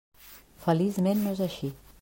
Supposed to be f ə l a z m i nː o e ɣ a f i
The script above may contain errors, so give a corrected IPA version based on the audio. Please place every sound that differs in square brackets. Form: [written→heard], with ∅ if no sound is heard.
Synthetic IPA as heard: f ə l [a→i] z m [i→e] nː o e [ɣ→z] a [f→ʃ] i